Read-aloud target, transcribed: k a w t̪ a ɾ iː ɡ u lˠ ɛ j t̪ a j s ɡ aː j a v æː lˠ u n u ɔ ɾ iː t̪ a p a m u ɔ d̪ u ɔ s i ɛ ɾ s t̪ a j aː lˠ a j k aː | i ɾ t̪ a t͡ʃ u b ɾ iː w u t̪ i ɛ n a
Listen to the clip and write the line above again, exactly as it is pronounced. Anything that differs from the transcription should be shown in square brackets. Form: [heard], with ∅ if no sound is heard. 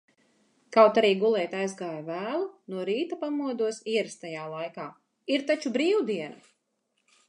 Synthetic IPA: k a w t̪ a ɾ iː ɡ u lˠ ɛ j t̪ a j [z] ɡ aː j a v æː lˠ u n u ɔ ɾ iː t̪ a p a m u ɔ d̪ u ɔ s i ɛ ɾ s t̪ a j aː lˠ a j k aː | i ɾ t̪ a t͡ʃ u b ɾ iː w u [d̪] i ɛ n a